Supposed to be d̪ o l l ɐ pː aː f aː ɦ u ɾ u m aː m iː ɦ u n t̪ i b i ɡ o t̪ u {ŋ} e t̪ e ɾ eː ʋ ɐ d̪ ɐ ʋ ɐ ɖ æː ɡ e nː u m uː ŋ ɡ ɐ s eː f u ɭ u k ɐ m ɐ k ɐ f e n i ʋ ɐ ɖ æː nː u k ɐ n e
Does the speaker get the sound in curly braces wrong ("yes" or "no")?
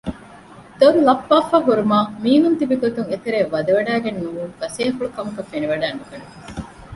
no